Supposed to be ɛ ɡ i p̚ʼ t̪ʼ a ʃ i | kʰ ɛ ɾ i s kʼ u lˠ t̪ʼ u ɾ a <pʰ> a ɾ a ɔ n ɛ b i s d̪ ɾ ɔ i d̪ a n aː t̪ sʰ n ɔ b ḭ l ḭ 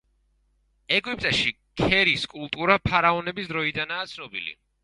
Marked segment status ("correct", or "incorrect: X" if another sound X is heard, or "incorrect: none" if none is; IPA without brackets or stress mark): correct